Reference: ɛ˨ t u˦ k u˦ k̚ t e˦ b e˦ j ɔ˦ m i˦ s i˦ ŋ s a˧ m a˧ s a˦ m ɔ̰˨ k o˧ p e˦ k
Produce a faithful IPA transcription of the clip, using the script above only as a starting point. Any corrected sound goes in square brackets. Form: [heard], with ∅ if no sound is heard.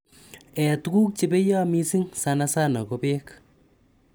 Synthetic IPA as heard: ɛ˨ t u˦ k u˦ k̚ [t͡ʃ] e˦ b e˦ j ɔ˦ m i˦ s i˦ ŋ s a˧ [n] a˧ s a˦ [n] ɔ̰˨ k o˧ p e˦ k